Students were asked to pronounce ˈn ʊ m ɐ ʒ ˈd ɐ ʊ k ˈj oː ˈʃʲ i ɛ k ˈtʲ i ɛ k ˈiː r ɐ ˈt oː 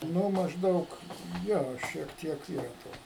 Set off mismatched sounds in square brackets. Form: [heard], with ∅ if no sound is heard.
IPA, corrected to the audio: ˈn ʊ m ɐ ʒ ˈd ɐ ʊ k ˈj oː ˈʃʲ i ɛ k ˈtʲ i ɛ k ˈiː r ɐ ˈt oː